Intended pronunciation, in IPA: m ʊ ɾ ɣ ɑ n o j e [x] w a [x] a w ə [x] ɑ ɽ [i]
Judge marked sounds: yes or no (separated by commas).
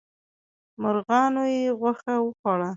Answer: no, yes, yes, no